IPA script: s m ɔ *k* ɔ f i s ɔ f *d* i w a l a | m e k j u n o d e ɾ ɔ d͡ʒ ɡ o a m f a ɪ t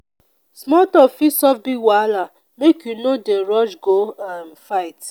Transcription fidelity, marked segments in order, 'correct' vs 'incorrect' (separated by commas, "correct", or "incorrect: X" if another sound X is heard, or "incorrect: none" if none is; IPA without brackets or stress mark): incorrect: t, incorrect: b